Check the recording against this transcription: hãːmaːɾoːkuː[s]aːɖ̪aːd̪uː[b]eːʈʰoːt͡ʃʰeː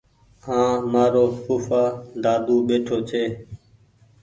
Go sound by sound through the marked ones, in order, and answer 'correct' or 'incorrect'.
incorrect: f, incorrect: ɓ

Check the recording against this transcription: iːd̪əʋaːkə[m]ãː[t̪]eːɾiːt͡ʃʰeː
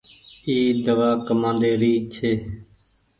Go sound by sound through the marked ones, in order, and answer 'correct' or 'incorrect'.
correct, incorrect: d̪

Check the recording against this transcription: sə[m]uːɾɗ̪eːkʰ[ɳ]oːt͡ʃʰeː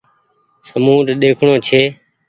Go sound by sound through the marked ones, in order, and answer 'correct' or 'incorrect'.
correct, correct

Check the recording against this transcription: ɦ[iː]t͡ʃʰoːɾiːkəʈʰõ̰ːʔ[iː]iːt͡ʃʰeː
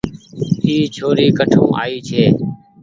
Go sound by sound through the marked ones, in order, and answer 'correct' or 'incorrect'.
correct, incorrect: aː

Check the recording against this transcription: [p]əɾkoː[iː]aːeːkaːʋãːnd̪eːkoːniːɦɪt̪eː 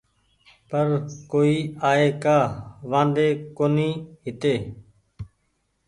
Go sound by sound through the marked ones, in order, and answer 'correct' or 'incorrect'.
correct, correct

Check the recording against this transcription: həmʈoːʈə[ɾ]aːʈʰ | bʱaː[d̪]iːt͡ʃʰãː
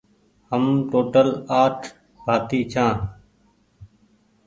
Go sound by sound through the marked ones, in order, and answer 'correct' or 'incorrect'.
incorrect: l, incorrect: t̪

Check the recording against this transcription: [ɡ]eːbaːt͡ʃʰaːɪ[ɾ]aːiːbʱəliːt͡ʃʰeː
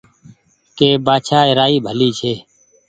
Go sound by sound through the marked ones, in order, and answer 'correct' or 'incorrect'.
incorrect: k, correct

